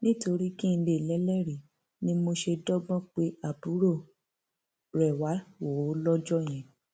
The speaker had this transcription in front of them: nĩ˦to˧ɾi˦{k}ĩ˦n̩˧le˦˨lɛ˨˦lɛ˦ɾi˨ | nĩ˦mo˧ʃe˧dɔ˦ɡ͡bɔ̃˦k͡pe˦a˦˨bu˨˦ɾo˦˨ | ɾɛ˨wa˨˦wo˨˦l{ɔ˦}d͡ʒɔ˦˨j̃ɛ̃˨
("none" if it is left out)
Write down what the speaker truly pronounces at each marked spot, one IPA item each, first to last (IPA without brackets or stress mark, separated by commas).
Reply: k, ɔ˦